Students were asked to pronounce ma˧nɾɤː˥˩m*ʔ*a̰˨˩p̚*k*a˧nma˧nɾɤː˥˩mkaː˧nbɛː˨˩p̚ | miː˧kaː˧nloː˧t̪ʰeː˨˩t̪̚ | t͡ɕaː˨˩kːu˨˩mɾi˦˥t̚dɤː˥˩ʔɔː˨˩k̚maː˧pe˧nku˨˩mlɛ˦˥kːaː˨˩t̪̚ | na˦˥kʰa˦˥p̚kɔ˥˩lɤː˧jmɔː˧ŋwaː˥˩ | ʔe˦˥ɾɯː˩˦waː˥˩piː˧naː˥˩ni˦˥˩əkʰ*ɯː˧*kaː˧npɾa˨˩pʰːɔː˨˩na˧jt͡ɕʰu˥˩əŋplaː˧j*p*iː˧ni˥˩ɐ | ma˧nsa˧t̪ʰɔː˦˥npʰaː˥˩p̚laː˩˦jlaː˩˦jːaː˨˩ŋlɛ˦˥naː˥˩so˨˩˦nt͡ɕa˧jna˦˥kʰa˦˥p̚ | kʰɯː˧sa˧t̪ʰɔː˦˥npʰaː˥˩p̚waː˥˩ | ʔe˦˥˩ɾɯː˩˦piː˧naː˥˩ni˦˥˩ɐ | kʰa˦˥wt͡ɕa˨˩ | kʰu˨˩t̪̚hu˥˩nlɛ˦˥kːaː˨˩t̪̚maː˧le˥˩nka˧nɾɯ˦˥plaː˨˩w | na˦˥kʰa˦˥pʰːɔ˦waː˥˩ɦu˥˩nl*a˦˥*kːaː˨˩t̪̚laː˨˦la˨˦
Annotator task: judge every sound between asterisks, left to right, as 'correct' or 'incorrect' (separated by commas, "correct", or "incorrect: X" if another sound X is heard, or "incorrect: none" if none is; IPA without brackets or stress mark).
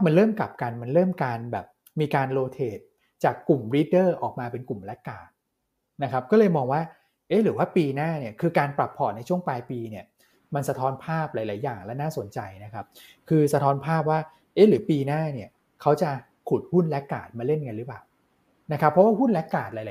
incorrect: k, correct, correct, correct, incorrect: ɛ˦˥